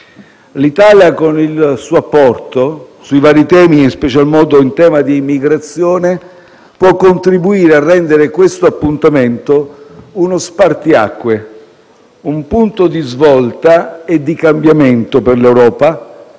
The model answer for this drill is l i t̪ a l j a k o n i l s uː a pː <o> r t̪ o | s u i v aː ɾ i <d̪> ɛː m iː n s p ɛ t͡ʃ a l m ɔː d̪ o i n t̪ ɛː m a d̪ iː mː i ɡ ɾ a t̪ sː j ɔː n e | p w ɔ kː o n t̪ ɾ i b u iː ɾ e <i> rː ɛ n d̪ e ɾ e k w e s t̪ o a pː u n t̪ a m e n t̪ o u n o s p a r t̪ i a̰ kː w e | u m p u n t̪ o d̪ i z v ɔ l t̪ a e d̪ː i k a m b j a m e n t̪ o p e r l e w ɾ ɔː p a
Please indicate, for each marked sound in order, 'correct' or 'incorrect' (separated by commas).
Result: incorrect, incorrect, incorrect